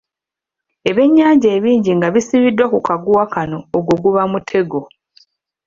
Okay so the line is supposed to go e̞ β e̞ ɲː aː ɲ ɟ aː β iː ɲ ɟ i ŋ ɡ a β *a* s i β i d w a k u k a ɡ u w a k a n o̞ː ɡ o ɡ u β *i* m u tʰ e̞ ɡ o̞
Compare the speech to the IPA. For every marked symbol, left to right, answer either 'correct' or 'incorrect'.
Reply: incorrect, incorrect

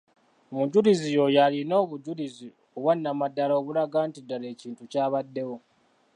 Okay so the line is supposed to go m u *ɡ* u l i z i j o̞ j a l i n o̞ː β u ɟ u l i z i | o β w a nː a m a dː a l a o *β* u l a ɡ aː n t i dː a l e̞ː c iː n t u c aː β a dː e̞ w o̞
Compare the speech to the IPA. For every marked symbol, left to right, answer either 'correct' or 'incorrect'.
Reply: incorrect, correct

